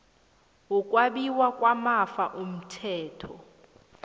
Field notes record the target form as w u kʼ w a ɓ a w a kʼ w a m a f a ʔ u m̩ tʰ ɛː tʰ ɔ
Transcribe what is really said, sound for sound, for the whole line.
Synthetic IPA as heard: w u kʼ w a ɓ i w a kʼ w a m a f a ʔ u m̩ tʰ ɛː tʰ ɔ